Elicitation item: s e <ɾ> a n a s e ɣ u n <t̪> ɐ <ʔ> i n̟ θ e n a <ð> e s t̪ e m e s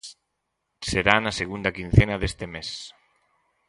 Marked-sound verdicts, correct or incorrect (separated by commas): correct, incorrect, incorrect, correct